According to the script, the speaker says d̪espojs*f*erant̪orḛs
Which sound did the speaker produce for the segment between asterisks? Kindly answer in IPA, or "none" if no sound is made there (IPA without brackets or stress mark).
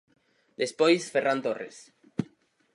f